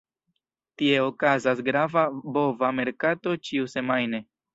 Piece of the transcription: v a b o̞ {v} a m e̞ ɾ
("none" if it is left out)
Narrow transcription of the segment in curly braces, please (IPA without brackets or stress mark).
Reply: v